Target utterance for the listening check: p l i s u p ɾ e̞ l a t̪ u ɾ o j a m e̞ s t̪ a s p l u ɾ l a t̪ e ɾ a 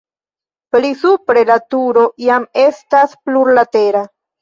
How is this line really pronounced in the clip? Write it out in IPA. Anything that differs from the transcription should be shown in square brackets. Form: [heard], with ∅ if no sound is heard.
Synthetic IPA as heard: p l i s u p ɾ e̞ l a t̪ u ɾ o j a m e̞ s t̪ a s p l u ɾ l a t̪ e ɾ a

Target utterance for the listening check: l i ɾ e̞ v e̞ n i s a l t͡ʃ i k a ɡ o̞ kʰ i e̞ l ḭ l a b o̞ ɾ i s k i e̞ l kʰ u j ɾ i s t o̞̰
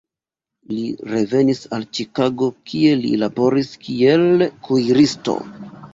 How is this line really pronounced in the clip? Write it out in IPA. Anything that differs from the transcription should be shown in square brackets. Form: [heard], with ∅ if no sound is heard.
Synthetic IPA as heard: l i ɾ e̞ v e̞ n i s a l t͡ʃ i k a ɡ o̞ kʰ i e̞ l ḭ l a b o̞ ɾ i s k i e̞ l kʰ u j ɾ i s t o̞̰

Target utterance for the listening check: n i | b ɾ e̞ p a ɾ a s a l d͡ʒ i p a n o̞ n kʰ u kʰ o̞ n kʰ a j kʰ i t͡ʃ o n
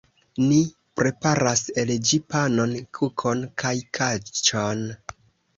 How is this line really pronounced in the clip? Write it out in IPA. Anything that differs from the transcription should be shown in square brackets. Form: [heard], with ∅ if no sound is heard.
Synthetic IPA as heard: n i | [p] ɾ e̞ p a ɾ a s [e] l d͡ʒ i p a n o̞ n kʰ u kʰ o̞ n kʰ a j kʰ [a] t͡ʃ o n

